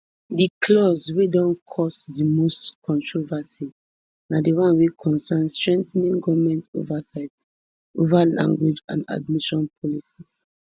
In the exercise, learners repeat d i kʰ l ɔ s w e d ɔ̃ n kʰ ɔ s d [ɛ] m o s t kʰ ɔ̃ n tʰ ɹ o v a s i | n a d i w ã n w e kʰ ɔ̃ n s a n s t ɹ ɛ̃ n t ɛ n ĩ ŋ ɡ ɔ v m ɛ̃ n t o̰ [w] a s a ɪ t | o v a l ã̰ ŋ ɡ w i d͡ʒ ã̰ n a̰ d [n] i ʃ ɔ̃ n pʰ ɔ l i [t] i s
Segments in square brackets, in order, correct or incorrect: incorrect, incorrect, incorrect, incorrect

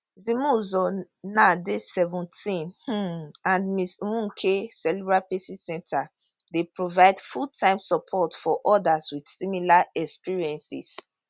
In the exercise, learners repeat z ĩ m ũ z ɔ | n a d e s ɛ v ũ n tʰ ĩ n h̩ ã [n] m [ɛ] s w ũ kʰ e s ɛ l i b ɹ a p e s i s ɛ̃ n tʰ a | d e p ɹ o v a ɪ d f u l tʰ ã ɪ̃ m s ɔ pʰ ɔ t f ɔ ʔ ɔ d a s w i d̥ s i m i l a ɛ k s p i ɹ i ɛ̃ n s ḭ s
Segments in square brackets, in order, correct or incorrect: correct, incorrect

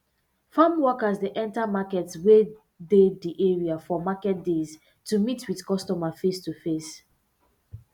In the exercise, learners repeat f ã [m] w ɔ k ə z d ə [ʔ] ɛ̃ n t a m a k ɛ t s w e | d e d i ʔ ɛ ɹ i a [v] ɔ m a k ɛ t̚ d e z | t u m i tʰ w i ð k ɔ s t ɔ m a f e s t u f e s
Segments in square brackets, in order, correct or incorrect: correct, correct, incorrect

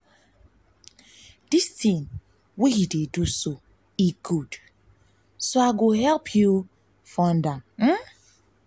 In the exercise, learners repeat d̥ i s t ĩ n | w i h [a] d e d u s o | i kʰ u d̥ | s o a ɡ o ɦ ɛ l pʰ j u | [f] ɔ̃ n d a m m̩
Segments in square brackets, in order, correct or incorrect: incorrect, correct

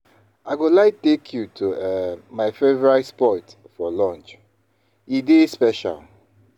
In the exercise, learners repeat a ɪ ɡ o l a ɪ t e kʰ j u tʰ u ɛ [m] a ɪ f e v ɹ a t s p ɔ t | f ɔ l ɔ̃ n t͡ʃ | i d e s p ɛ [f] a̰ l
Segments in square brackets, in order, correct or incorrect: correct, incorrect

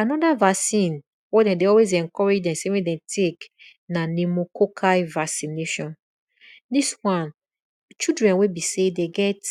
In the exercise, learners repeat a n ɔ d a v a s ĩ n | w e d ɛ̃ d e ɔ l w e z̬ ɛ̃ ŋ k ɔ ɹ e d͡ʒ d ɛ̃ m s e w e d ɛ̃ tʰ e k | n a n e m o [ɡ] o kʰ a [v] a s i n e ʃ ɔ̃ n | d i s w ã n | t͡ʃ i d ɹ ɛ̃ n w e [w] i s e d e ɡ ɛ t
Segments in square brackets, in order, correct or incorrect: incorrect, correct, incorrect

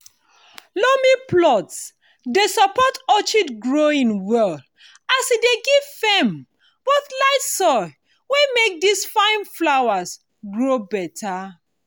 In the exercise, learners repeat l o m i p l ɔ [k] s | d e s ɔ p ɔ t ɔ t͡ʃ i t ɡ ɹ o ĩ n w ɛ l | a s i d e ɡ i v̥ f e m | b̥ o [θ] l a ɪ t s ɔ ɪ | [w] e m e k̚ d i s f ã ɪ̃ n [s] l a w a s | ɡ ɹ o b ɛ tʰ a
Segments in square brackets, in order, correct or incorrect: incorrect, correct, correct, incorrect

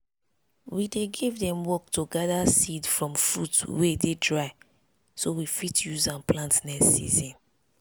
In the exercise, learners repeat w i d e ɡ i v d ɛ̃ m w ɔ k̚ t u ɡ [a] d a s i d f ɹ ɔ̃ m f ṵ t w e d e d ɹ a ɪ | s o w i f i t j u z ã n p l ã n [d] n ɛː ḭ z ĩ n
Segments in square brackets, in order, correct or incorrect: correct, incorrect

